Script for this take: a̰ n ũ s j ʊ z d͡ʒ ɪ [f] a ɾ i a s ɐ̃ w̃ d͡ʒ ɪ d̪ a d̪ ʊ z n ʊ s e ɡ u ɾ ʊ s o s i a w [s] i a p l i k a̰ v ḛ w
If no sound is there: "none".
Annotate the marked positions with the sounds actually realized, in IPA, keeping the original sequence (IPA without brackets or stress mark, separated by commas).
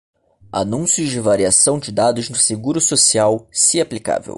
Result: v, s